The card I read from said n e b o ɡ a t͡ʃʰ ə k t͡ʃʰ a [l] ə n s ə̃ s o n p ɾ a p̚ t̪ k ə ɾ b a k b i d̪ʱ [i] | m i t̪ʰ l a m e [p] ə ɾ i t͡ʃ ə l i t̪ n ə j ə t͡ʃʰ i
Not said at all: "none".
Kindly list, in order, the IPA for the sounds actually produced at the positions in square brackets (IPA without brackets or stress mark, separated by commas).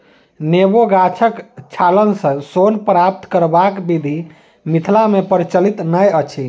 l, i, p